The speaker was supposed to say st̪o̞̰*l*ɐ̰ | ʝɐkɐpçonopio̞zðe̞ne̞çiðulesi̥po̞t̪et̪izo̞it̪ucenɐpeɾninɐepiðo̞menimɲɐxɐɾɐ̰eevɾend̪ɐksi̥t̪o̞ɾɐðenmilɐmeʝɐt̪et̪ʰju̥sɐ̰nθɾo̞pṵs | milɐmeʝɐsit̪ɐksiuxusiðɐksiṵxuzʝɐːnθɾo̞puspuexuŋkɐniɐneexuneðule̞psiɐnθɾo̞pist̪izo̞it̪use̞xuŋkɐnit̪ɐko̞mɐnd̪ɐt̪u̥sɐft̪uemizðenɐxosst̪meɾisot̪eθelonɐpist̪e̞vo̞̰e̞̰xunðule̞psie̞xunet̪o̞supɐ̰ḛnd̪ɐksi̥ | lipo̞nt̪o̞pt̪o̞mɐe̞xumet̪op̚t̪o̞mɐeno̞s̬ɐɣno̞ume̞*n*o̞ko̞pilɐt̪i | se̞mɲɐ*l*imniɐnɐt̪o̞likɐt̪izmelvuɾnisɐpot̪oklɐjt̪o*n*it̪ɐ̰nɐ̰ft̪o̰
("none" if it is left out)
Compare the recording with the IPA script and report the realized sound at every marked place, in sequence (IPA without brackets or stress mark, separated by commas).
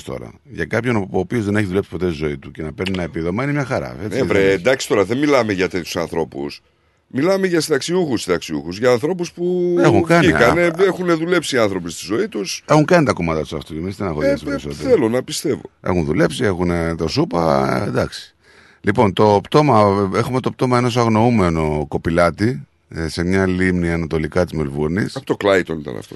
ɾ, n, l, n